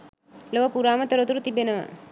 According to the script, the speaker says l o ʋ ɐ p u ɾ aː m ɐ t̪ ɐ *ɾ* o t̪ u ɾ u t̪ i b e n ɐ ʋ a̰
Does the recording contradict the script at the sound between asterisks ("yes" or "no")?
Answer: no